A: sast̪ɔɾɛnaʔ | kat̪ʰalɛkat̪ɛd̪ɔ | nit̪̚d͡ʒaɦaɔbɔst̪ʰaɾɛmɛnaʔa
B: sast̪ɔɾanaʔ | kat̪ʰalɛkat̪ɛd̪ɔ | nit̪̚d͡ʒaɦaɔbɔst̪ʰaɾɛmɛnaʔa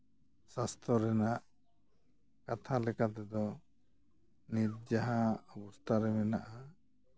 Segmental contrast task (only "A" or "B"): A